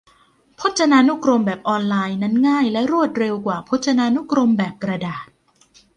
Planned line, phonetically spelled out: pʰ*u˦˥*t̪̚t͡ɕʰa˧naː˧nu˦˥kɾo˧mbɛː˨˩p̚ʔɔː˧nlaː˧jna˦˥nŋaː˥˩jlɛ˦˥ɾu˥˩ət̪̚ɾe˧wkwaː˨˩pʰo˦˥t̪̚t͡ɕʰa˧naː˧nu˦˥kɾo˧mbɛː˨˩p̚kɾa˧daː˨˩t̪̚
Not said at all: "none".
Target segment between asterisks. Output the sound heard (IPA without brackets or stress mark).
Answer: o˦˥